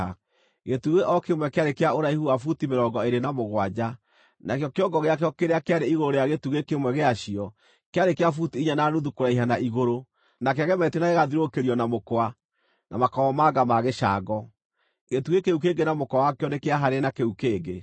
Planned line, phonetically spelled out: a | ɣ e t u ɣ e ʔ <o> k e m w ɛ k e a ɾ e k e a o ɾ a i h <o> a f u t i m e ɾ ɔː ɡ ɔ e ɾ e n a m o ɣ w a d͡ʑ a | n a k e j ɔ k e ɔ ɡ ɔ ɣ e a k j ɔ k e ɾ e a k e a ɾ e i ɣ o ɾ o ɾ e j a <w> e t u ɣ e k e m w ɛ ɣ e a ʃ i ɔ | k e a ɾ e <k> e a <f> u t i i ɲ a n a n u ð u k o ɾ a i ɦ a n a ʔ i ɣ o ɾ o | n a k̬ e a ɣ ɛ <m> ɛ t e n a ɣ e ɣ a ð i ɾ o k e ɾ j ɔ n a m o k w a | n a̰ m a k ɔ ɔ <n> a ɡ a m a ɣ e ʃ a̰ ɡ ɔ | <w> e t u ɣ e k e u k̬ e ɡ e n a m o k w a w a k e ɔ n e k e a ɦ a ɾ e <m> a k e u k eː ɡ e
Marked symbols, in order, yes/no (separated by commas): no, no, no, yes, yes, yes, no, no, no